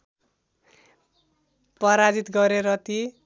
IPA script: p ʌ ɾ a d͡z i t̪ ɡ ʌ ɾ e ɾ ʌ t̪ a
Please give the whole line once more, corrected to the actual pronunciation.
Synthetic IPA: p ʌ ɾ a d͡z i t̪ ɡ ʌ ɾ e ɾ ʌ t̪ i